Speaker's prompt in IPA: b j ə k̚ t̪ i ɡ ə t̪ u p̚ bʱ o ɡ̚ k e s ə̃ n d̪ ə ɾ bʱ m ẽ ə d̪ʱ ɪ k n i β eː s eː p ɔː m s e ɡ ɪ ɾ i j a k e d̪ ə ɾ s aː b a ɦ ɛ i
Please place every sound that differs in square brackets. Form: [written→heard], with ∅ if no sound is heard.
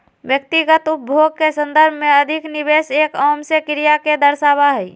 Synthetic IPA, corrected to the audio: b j ə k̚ t̪ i ɡ ə t̪ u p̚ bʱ o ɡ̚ k e s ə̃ n d̪ ə ɾ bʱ m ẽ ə d̪ʱ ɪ k n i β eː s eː [p→k] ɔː m s e [ɡ→k] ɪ ɾ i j a k e d̪ ə ɾ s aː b a ɦ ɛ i